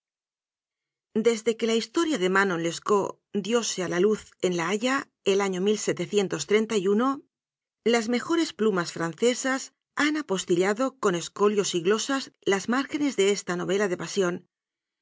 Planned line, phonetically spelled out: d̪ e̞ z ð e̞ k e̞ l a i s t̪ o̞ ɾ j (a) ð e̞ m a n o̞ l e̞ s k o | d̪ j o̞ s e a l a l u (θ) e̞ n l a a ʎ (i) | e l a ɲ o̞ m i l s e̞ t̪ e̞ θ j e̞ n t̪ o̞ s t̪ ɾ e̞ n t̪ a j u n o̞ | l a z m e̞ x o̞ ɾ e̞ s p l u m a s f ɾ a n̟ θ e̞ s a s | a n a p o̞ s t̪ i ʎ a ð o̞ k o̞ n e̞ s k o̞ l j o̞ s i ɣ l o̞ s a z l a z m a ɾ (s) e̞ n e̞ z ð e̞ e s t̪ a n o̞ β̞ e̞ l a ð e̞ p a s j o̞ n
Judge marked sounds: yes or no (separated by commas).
yes, yes, no, no